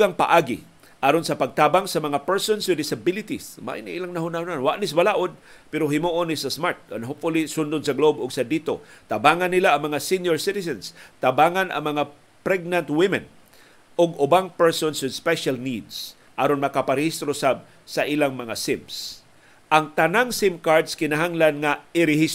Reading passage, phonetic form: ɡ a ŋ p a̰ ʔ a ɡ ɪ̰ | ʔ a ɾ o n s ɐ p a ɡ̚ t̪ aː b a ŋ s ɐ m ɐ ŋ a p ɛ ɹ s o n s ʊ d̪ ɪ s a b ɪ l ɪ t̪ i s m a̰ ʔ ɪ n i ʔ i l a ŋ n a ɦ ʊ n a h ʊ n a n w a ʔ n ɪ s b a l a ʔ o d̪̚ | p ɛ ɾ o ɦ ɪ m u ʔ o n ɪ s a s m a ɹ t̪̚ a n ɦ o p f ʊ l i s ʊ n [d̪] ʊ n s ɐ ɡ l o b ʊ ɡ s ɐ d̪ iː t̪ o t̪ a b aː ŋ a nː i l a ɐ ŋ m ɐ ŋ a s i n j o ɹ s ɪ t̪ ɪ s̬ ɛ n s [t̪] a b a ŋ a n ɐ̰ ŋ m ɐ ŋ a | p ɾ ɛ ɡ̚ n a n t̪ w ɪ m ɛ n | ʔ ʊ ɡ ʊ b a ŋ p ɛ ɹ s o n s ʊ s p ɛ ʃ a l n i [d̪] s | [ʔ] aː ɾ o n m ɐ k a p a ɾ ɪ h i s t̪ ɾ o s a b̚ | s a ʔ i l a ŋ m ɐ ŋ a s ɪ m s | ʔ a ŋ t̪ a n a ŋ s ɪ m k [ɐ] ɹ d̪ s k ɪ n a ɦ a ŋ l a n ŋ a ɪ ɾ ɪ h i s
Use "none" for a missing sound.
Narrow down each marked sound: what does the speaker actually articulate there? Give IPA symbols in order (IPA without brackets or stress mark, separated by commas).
d̪, t̪, d̪, ʔ, a